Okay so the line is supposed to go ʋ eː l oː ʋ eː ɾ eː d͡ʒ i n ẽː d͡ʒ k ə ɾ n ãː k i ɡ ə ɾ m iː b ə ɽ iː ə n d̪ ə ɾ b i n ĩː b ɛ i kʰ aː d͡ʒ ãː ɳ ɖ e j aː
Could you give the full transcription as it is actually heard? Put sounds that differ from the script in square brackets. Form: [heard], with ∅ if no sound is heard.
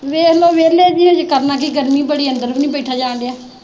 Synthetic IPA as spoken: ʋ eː l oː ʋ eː [l] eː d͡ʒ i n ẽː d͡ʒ k ə ɾ n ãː k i ɡ ə ɾ m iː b ə ɽ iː ə n d̪ ə ɾ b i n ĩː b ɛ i [ʈʰ] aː d͡ʒ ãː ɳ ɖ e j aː